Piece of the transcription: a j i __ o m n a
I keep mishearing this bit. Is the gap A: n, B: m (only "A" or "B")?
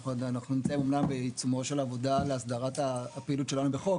B